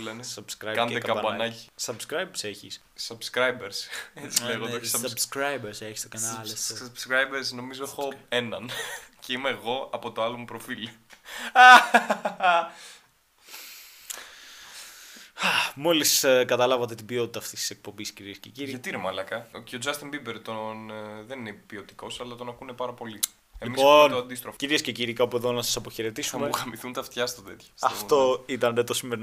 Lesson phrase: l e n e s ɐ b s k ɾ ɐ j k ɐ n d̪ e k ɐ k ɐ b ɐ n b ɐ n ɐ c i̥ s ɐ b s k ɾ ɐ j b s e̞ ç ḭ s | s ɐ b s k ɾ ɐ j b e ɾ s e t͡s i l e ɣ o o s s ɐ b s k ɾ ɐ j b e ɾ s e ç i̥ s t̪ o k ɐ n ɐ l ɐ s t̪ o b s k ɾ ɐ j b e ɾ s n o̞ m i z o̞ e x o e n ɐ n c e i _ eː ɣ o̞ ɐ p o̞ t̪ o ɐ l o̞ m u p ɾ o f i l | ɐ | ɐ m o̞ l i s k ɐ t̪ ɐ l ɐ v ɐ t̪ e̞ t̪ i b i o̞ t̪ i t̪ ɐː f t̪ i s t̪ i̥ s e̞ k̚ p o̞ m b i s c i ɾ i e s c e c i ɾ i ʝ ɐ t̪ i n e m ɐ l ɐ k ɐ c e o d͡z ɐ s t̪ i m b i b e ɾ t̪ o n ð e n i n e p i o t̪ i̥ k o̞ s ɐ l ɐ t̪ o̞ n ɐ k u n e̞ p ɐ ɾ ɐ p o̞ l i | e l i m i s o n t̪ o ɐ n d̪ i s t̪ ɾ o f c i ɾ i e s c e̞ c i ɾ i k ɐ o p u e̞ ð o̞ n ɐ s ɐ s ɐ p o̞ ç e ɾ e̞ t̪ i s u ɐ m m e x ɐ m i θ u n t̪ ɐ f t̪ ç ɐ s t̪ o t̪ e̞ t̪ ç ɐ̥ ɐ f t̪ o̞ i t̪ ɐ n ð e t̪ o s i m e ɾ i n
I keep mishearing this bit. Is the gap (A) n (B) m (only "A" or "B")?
B